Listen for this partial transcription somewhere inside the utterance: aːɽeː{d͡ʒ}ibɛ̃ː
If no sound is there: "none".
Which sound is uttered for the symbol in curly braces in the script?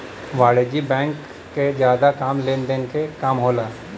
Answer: d͡ʒ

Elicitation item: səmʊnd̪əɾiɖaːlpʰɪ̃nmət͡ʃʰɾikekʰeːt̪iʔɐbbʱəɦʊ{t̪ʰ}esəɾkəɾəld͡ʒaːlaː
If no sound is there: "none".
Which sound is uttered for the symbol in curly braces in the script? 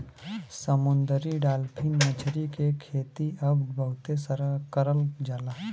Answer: t̪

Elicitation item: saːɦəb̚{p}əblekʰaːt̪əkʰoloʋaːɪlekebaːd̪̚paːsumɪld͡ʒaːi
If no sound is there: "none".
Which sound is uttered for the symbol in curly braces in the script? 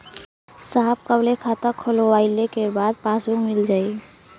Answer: k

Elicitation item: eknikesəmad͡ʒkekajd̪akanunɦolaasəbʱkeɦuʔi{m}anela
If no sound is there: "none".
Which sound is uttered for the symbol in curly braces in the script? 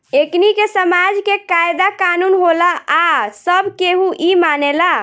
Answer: m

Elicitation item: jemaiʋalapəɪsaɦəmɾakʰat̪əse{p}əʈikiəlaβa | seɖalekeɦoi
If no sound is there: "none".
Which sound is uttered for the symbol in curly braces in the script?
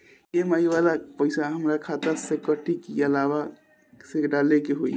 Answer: k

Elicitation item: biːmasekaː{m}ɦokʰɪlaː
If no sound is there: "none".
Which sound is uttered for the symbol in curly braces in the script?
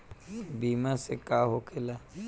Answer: none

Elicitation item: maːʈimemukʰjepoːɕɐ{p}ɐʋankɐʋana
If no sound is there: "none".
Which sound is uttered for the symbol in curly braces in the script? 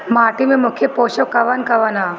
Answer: k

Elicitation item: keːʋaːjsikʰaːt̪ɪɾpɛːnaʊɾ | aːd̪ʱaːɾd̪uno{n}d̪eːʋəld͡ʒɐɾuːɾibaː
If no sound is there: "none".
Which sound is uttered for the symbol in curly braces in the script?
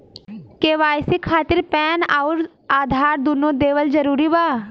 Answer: none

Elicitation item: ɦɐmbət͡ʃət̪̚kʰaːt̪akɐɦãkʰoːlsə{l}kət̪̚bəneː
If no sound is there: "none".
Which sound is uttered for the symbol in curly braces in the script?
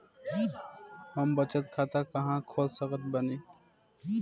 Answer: none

